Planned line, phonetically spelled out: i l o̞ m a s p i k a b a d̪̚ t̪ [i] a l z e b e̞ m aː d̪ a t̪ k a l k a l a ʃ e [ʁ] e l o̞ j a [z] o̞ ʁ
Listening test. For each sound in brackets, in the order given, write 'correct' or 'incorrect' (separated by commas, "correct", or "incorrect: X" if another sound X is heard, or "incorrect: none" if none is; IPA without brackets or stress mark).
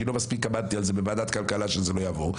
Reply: correct, incorrect: z, incorrect: v